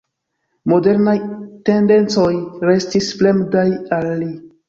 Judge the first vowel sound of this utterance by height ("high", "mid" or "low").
mid